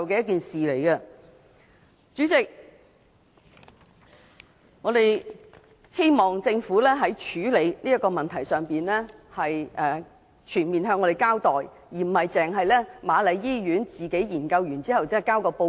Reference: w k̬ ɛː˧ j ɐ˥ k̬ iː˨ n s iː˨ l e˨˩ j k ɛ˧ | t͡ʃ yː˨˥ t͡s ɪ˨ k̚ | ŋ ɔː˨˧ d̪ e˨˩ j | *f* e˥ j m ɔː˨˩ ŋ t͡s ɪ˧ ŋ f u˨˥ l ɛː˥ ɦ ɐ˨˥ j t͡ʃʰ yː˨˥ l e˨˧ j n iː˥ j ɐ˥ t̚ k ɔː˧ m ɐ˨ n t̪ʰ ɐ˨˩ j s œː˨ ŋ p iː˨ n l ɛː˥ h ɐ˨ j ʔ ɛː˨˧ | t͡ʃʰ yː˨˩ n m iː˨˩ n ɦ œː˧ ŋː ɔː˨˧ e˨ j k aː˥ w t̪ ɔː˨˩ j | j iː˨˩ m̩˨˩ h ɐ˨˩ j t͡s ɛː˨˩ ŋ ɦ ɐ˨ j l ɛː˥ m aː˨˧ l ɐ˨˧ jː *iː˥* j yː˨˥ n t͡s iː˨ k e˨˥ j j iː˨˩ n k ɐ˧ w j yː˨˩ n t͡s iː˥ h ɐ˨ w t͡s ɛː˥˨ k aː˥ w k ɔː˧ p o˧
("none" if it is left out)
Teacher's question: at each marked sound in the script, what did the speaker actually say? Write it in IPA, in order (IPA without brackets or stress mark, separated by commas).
h, iː˥